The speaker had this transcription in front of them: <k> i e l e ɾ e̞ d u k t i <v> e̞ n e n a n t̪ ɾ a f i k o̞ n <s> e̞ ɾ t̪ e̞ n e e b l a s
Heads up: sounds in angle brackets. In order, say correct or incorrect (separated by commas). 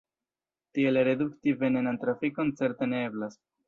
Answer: incorrect, correct, incorrect